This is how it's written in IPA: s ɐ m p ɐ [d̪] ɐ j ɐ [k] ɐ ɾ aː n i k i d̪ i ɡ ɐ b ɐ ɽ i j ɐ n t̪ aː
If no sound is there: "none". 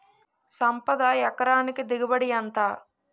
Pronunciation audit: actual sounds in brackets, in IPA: d̪, k

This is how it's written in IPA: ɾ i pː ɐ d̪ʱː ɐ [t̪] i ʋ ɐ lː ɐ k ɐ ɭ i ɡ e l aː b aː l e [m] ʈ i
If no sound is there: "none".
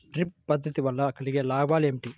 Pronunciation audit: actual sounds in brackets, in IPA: t̪, m

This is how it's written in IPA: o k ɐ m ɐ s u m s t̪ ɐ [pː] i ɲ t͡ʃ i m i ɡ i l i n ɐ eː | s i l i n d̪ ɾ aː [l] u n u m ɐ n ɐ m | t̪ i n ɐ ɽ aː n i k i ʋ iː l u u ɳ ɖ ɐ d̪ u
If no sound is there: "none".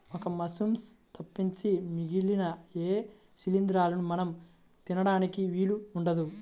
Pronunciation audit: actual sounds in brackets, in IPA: pː, l

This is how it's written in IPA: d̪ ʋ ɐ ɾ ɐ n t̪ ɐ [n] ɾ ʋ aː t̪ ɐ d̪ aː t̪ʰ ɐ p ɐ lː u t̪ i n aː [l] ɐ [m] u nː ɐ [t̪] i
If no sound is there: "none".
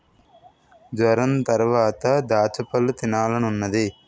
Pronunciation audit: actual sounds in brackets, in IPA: none, l, n, d̪

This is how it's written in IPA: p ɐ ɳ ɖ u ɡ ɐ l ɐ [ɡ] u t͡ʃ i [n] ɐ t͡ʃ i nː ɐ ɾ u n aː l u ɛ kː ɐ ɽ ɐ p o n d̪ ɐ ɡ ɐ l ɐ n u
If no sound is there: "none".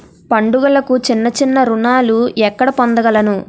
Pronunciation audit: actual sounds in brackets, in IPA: k, nː

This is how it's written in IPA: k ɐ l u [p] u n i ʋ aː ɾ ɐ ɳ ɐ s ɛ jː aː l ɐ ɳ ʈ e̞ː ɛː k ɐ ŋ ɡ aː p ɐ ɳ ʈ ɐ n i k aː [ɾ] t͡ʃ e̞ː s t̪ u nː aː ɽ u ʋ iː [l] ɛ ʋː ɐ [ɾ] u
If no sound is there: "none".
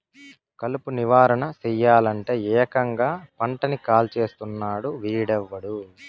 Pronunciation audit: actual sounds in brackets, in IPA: p, l, ɽ, ɽ

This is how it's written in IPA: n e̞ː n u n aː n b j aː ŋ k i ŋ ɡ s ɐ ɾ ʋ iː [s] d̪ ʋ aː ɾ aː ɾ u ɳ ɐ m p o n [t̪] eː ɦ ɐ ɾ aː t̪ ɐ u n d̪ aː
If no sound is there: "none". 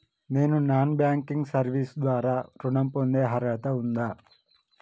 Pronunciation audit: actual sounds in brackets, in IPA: s, d̪

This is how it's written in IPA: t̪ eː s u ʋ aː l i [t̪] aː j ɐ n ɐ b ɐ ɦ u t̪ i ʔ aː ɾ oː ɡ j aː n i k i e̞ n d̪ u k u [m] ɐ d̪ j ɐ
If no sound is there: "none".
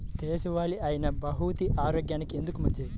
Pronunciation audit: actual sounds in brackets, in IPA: none, m

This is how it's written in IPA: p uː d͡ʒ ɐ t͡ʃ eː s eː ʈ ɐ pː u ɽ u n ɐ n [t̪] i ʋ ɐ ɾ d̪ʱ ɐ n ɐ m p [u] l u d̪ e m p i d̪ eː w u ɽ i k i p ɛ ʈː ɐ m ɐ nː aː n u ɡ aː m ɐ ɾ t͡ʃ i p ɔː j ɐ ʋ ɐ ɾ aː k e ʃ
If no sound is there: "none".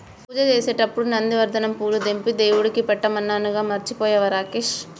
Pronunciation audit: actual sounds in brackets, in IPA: d̪, uː

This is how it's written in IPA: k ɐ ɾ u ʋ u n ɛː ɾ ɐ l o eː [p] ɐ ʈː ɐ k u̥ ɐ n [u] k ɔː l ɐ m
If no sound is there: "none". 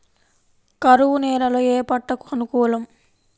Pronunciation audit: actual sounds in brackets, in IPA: p, u

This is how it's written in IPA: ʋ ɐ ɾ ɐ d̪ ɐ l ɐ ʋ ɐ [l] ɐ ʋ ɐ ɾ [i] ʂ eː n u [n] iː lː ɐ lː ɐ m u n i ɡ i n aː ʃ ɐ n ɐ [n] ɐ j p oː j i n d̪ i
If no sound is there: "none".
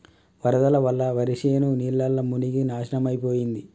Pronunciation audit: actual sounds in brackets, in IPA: lː, i, n, m

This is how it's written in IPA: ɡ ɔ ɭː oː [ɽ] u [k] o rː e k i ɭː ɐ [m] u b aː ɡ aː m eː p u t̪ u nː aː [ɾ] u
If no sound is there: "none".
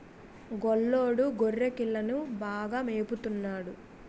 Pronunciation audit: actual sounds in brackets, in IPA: ɽ, ɡ, n, ɽ

